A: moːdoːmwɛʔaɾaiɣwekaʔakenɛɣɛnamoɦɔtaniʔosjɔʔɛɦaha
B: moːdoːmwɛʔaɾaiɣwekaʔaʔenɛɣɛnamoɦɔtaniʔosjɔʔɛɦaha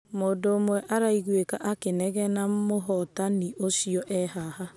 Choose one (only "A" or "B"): A